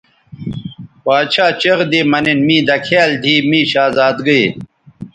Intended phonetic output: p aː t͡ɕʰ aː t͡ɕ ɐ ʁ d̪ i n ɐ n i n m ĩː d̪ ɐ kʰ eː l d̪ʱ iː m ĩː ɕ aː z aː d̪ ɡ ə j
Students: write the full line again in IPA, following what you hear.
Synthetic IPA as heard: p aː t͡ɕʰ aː t͡ɕ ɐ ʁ d̪ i m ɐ n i n m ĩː d̪ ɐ kʰ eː l d̪ʱ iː m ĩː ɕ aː z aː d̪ ɡ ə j